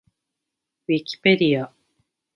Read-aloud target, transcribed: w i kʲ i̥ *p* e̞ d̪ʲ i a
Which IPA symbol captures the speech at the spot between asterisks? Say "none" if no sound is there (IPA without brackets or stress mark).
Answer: p